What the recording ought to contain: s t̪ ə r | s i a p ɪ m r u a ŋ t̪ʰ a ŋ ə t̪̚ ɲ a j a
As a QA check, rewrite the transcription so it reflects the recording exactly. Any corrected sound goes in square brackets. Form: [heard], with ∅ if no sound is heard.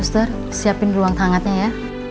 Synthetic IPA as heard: s t̪ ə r | s i a p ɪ [n] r u a ŋ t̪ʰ a ŋ [a] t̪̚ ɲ a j a